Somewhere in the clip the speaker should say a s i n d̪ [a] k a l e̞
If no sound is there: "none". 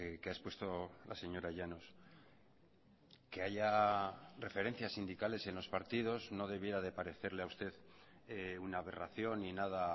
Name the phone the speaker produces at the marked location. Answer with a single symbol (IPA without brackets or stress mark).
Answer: i